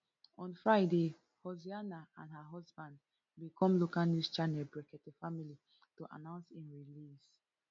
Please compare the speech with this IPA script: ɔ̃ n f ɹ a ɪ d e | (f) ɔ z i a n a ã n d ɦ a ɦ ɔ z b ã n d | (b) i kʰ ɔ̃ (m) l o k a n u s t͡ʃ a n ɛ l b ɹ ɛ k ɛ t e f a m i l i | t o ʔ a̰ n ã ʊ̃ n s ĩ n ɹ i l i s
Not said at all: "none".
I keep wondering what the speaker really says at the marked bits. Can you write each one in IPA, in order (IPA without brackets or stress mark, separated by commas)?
h, b, m